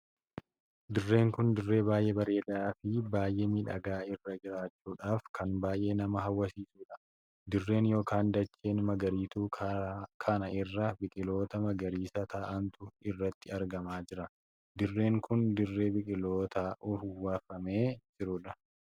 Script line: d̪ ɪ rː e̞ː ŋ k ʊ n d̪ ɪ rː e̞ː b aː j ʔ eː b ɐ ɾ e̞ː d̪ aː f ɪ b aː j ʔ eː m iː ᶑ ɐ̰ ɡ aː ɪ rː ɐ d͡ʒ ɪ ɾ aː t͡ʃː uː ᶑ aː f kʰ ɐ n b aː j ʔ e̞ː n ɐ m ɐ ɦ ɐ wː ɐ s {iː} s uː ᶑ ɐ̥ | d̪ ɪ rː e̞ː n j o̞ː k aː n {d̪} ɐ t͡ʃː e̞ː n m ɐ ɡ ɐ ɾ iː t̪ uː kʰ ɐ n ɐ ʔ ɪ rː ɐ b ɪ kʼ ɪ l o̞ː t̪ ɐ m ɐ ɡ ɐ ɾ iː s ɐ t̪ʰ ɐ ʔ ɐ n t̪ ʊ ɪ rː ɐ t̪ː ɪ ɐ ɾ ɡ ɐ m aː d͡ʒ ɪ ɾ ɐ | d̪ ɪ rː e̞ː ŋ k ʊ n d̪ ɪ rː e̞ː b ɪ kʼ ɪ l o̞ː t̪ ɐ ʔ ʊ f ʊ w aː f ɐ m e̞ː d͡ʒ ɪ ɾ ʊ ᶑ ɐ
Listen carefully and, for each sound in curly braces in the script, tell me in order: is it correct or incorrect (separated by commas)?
correct, correct